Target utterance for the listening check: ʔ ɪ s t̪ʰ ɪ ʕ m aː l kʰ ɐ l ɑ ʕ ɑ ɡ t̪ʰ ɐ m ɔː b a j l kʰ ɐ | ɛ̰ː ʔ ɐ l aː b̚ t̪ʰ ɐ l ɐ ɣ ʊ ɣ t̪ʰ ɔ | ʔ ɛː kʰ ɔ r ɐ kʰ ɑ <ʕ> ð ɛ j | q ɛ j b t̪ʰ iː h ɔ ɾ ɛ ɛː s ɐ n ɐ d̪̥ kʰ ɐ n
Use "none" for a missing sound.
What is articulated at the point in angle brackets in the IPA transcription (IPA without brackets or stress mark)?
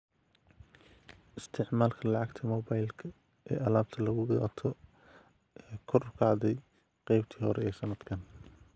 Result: ʕ